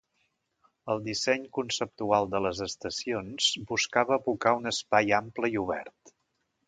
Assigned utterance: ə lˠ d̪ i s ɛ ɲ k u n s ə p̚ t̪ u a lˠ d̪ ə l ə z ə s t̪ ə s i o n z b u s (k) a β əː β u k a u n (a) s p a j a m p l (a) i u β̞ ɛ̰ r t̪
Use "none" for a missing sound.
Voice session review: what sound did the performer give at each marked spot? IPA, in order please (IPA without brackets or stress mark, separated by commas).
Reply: k, ə, ə